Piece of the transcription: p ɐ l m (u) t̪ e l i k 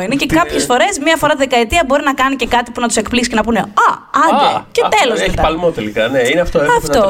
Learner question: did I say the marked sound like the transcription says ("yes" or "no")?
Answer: no